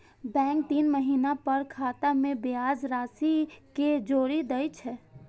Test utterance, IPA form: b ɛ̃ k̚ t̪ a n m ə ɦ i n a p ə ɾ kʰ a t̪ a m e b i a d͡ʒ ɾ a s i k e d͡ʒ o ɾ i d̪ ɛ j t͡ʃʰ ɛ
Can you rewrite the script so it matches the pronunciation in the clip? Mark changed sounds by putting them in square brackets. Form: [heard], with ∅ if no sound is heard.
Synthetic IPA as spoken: b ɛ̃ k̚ t̪ [i] n m ə ɦ i n a p ə ɾ kʰ a t̪ a m e b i a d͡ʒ ɾ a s i k e d͡ʒ o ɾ i d̪ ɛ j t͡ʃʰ ɛ